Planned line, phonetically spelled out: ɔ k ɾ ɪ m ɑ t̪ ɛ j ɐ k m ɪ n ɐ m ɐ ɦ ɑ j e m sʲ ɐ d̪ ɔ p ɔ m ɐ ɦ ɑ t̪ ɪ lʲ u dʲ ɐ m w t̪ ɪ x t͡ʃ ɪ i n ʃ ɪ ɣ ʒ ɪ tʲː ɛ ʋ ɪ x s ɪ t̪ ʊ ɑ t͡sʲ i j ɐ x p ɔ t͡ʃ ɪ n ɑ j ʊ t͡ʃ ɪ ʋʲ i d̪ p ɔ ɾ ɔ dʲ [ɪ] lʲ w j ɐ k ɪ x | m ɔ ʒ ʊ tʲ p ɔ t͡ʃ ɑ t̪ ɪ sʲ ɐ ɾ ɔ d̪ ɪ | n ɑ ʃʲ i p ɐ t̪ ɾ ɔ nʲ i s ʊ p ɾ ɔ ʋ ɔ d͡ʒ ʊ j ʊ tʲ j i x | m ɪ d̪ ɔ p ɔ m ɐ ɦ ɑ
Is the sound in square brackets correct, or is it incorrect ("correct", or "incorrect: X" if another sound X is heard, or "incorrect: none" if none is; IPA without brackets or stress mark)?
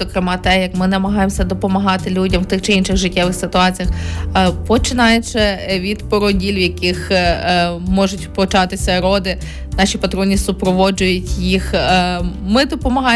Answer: incorrect: i